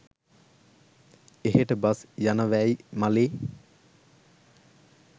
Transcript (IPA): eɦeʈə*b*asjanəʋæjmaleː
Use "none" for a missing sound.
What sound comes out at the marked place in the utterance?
b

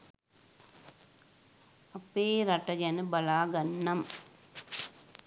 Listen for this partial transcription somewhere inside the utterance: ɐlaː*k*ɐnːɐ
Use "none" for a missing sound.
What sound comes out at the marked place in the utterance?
ɡ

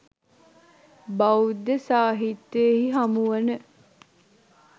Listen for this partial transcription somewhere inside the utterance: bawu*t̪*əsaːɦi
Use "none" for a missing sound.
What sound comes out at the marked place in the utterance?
d̪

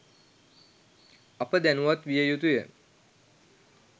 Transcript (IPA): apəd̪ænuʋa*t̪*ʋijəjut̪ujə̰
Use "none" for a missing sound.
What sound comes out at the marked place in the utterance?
t̪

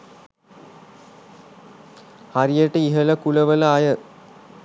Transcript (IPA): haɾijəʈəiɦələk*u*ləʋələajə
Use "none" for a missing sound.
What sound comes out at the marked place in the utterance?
u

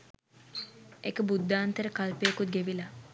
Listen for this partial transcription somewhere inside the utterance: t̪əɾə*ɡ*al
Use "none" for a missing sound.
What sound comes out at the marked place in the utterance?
k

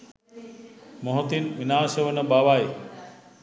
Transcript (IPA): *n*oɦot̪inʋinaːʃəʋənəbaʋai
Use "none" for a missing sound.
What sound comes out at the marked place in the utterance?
m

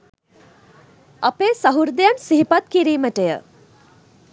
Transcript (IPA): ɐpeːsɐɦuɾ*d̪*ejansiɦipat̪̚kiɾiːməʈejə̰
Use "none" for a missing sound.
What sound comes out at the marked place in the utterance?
d̪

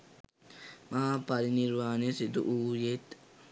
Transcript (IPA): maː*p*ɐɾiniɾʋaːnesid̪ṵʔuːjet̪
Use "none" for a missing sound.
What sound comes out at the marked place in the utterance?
p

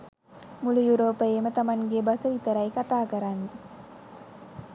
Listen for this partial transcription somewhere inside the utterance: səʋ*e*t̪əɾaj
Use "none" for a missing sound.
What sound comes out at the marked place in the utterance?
i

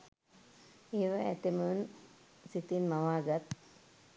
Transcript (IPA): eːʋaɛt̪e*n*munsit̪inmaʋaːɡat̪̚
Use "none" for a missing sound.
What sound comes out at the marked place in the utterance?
none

